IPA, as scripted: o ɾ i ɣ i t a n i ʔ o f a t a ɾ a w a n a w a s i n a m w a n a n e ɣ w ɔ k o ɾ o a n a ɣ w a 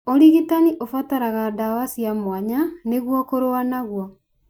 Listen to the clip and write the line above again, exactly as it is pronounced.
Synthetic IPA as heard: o ɾ i ɣ i t a n i ʔ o f a t a ɾ a ɣ a d a w a s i a m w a ɲ a n e ɣ w ɔ k o ɾ o a n a ɣ w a